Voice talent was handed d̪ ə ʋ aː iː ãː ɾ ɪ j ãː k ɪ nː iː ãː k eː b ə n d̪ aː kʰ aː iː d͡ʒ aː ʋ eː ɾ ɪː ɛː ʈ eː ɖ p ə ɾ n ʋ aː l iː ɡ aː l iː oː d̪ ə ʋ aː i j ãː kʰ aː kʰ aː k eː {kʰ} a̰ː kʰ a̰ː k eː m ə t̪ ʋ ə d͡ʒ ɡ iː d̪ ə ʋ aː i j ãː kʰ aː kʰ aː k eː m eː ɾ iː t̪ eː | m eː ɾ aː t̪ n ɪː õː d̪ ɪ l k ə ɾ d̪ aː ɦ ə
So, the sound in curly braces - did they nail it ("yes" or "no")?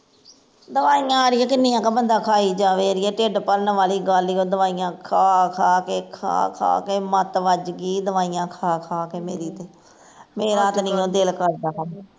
yes